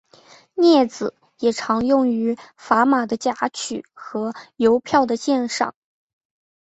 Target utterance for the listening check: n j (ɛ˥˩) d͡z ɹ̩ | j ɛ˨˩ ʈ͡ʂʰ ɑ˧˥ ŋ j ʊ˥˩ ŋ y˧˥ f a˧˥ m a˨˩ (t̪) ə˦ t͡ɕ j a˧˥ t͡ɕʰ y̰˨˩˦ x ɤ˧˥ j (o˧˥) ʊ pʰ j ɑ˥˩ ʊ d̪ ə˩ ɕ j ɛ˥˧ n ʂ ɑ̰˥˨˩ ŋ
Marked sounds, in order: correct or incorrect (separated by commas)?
correct, incorrect, correct